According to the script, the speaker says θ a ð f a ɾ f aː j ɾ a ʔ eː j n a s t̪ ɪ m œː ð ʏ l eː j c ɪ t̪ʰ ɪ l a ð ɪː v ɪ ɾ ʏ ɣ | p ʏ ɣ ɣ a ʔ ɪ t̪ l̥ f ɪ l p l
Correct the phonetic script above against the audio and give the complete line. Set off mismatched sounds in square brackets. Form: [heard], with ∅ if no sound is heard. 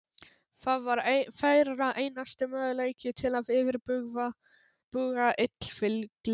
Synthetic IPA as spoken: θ a ð [v] a ɾ f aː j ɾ a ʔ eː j n a s t̪ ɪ m œː ð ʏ l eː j c ɪ t̪ʰ ɪ l a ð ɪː v ɪ ɾ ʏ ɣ | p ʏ ɣ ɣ a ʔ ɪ t̪ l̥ f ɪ l [k] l